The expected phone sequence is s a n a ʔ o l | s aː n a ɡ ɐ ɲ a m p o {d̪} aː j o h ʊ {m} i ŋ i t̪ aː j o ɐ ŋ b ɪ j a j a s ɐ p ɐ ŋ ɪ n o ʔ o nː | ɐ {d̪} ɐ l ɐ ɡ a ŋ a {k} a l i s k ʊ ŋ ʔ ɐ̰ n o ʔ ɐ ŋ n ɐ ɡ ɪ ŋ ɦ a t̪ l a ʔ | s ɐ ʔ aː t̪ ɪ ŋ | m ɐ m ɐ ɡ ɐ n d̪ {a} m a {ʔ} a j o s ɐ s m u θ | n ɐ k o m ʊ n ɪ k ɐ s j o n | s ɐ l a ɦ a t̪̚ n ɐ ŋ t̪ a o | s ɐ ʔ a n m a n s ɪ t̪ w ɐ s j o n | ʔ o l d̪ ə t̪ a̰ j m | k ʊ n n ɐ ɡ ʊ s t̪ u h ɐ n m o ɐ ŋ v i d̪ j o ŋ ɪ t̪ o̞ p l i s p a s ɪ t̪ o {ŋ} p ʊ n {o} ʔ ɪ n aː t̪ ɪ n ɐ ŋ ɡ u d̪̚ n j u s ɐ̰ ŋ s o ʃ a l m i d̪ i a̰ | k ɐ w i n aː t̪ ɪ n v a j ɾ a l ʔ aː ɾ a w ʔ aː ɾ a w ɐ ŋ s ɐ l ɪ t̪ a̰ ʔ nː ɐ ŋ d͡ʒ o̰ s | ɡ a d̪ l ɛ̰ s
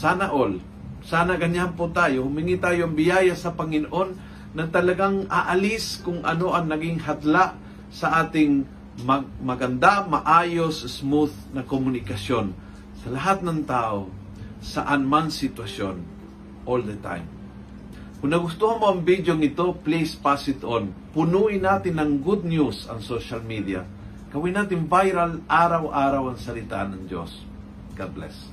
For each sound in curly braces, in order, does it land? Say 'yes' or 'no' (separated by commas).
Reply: no, yes, no, no, yes, yes, no, no